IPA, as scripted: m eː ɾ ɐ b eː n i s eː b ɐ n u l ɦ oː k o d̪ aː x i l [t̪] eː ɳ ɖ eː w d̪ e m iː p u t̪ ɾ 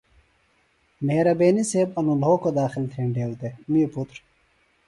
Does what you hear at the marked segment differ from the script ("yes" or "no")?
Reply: yes